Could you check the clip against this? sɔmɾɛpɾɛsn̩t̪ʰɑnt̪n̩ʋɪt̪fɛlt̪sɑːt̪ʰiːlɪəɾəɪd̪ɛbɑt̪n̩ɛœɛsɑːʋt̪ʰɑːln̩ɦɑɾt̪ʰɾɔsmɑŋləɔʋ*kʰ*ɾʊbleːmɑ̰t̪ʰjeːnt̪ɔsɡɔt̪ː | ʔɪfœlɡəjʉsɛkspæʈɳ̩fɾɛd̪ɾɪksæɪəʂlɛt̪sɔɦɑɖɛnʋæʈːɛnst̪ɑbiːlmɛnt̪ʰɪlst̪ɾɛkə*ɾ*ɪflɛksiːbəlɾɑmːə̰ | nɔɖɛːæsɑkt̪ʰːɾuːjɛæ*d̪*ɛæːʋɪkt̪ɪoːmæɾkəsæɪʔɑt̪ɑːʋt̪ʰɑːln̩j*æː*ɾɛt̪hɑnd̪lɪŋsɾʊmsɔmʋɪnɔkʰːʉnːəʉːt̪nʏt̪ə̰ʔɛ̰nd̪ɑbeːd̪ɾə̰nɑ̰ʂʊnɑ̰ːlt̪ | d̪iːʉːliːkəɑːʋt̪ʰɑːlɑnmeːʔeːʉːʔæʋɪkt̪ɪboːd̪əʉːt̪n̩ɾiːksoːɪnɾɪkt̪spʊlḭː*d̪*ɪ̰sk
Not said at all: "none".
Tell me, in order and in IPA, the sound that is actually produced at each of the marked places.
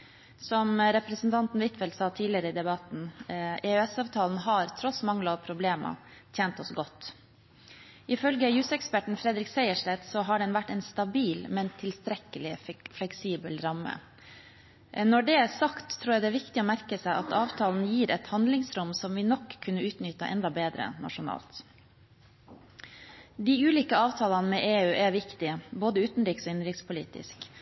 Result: pʰ, l, d̪, iː, t̪

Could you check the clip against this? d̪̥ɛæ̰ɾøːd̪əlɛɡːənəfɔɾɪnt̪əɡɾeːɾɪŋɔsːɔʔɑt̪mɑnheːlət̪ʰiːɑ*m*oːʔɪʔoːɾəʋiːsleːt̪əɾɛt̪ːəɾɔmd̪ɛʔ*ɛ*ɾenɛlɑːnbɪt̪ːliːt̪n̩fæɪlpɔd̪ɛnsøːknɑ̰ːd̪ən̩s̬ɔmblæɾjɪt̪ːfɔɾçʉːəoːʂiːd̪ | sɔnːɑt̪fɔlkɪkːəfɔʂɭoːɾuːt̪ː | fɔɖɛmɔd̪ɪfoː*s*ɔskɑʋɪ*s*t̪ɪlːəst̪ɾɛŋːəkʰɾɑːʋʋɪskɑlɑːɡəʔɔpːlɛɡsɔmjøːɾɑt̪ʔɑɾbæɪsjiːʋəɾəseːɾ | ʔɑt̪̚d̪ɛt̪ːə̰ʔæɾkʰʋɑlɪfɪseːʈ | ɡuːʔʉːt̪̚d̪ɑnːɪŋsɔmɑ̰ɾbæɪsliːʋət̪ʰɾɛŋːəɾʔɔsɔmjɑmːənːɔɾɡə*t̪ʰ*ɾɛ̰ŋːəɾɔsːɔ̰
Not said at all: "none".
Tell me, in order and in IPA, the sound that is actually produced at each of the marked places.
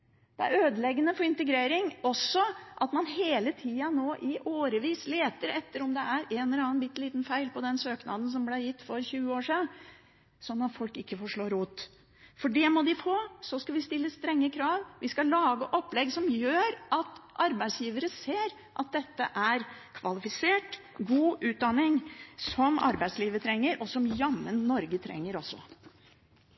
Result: n, æ, s, s, t̪ʰ

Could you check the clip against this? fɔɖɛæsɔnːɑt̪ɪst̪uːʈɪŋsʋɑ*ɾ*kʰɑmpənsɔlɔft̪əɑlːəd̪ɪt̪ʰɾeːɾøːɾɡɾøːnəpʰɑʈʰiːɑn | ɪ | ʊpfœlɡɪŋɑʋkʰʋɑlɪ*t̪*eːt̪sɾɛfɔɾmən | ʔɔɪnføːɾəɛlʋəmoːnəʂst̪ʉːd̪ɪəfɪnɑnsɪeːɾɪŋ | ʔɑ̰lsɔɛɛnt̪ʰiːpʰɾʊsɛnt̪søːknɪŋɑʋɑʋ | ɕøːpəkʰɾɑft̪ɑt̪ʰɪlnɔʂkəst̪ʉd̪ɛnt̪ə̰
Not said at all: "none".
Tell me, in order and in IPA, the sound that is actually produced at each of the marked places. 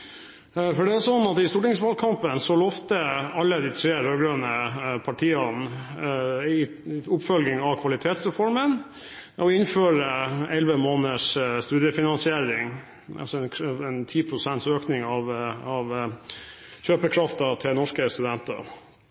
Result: l, t̪ʰ

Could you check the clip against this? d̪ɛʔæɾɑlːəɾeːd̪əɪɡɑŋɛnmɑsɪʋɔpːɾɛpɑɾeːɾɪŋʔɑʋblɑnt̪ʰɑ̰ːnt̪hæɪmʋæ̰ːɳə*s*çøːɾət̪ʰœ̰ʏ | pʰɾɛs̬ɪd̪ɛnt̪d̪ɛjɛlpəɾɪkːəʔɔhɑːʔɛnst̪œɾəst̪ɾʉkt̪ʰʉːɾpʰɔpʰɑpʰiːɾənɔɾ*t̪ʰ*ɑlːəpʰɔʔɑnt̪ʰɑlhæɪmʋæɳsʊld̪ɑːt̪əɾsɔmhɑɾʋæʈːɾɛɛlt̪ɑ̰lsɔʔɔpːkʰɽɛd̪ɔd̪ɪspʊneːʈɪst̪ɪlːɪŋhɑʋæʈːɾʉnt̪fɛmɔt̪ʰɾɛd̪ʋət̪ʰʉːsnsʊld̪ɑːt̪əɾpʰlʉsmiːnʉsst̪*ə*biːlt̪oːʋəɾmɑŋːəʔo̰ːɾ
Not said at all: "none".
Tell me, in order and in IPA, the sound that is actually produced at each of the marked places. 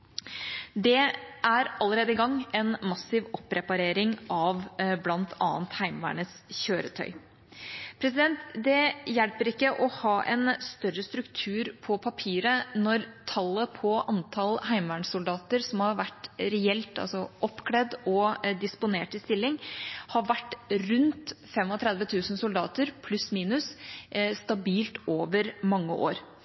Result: s, t̪ʰ, ɑ

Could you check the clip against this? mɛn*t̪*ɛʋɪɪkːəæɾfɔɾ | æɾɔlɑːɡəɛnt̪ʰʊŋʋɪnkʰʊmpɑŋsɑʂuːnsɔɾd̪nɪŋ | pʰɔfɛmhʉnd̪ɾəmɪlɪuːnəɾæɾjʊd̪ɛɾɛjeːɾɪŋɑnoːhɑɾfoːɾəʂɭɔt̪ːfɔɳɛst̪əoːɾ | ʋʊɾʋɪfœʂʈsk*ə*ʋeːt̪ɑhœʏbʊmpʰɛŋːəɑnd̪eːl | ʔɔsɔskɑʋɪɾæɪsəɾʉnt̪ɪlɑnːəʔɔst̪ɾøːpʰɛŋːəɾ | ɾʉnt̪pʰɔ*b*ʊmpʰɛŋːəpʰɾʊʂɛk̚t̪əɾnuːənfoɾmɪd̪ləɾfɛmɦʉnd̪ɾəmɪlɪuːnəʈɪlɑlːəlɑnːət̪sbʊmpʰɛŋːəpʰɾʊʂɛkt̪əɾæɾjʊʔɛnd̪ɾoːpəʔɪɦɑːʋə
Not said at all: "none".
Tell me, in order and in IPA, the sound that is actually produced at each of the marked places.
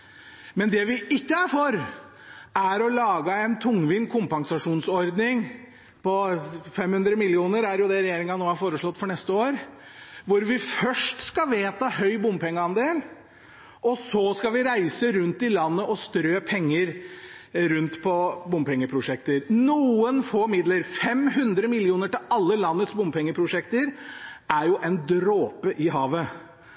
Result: d̪, ɑ, b

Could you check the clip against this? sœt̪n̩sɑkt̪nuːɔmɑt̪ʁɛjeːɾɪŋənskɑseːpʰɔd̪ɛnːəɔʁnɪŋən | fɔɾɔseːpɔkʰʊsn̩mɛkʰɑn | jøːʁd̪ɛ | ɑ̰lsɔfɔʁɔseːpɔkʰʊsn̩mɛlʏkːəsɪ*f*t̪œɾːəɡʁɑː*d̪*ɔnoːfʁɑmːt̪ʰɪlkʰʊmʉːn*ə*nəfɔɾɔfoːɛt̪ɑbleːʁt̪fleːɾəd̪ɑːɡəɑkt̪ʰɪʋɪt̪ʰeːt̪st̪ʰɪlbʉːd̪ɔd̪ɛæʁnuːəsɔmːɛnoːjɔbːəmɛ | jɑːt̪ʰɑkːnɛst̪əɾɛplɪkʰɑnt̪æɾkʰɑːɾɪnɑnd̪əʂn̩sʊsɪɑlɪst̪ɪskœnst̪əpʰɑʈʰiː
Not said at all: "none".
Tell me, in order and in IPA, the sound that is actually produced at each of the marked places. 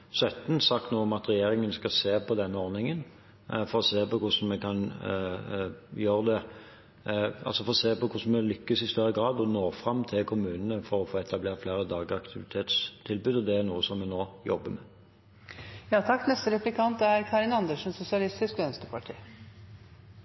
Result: s, d̪, ə

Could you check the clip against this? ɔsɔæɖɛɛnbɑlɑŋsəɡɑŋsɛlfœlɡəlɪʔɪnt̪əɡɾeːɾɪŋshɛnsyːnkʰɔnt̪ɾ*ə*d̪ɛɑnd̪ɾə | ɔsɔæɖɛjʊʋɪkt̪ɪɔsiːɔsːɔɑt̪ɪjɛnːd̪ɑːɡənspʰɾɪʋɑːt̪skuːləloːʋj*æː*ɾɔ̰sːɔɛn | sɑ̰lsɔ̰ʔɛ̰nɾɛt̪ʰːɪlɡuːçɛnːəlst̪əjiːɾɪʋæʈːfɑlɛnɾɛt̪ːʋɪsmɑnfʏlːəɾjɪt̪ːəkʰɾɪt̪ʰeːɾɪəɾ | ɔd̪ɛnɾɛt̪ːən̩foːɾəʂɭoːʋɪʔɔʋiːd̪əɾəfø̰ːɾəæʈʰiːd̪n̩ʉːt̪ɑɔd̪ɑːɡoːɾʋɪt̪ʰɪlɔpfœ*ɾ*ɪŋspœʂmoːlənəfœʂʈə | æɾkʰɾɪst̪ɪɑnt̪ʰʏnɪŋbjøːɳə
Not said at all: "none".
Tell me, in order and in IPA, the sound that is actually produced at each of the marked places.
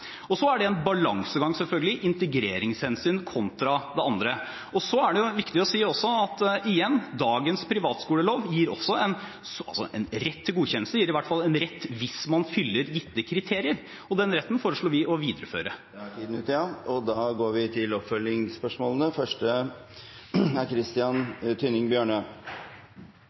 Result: ɑ, iː, l

